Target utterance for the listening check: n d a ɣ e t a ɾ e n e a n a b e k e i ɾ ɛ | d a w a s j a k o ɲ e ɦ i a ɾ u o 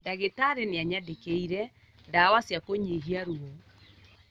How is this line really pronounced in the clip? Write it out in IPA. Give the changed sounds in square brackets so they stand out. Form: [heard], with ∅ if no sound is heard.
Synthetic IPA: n d a ɣ e t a ɾ e n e a [ɲ] a [d] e k e i ɾ ɛ | d a w a s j a k o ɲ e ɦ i a ɾ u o